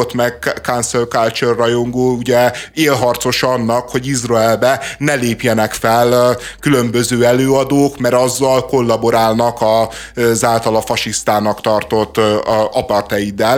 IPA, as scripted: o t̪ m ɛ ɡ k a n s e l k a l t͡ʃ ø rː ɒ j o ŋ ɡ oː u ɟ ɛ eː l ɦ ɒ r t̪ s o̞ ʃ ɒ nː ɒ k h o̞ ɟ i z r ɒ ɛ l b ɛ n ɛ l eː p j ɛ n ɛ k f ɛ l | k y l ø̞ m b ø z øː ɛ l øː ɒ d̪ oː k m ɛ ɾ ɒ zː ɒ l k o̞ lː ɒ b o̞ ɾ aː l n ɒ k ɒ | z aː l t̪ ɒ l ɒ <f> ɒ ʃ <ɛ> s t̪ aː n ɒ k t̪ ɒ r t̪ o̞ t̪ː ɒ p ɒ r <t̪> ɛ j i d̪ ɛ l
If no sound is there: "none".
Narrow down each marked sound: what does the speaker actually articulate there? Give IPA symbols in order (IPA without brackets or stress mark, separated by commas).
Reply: f, i, t̪